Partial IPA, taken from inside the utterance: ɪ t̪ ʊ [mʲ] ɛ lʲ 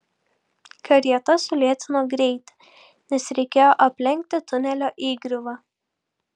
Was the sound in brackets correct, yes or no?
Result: no